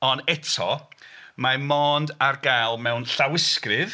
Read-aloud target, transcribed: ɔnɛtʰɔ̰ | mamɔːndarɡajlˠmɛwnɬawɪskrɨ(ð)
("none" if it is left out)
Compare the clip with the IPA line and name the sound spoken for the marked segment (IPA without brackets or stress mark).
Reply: ð